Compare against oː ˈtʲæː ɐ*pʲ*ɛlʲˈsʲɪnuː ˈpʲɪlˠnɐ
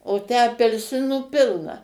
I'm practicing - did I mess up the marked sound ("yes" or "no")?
no